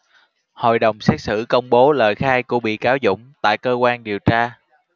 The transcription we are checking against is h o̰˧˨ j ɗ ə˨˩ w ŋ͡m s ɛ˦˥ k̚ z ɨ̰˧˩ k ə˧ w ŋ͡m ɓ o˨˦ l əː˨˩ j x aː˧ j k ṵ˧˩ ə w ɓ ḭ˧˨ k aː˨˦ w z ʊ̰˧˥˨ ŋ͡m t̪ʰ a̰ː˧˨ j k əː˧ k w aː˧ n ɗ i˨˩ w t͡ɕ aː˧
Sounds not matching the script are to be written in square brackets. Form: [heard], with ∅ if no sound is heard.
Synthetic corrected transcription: h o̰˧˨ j ɗ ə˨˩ w ŋ͡m s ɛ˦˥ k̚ [s] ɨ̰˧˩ k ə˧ w ŋ͡m ɓ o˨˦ l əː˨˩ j x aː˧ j k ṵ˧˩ ə [∅] ɓ ḭ˧˨ k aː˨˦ w z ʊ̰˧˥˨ ŋ͡m [t̪] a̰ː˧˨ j k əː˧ k w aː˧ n ɗ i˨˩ w t͡ɕ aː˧